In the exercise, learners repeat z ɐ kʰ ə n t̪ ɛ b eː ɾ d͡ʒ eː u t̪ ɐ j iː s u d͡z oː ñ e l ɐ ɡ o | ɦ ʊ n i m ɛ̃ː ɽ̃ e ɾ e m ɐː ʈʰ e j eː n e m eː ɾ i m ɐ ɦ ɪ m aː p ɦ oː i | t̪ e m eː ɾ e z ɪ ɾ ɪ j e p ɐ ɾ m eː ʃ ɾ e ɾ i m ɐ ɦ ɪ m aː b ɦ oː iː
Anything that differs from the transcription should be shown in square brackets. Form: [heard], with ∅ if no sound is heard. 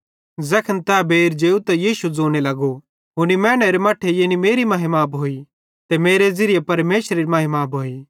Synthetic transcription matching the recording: z ɐ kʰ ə n t̪ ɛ b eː ɾ d͡ʒ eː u t̪ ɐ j iː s u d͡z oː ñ e l ɐ ɡ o | ɦ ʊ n i m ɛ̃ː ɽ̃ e ɾ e m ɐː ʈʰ e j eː n [i] m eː ɾ i m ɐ ɦ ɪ m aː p ɦ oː i | t̪ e m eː ɾ e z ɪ ɾ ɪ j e p ɐ ɾ m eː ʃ ɾ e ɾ i m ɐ ɦ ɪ m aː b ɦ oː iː